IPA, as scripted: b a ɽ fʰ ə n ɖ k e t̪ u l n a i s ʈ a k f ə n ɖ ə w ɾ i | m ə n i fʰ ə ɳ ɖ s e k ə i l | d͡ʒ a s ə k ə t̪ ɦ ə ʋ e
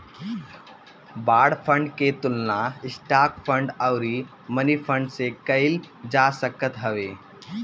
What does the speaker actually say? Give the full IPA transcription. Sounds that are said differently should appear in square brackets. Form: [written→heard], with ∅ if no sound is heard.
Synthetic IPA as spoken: b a ɽ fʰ ə [n→ɳ] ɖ k e t̪ u l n a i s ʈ a k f ə [n→ɳ] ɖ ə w ɾ i | m ə n i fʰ ə ɳ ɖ s e k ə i l | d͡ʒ a s ə k ə t̪ ɦ ə ʋ e